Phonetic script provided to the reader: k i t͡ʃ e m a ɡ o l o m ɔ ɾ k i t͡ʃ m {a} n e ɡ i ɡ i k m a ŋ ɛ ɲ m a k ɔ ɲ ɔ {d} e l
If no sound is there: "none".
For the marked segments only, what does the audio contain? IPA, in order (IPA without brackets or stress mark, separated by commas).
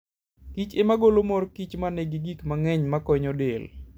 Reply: a, d